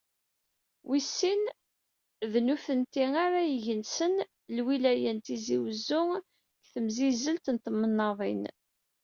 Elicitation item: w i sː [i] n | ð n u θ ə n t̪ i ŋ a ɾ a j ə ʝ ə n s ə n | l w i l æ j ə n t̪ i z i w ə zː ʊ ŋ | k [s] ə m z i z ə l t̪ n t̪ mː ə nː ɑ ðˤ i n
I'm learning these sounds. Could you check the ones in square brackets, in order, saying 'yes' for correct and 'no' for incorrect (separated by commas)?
yes, no